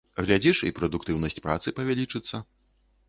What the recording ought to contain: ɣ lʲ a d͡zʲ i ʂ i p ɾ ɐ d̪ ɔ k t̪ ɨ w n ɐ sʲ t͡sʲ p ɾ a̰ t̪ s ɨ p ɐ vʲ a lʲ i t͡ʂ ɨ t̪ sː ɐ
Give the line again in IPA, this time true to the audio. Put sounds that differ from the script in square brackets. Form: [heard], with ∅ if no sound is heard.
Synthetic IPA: ɣ lʲ a d͡zʲ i ʂ i p ɾ ɐ d̪ [u] k t̪ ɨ w n ɐ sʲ t͡sʲ p ɾ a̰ t̪ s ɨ p ɐ vʲ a lʲ i t͡ʂ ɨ t̪ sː ɐ